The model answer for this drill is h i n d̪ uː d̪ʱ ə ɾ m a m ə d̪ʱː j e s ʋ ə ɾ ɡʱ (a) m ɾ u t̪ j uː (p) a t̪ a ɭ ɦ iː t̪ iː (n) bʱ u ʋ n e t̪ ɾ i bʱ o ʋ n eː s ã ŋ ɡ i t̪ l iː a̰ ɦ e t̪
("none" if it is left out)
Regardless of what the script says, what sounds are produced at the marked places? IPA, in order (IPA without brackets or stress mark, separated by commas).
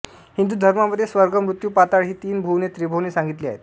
ə, p, n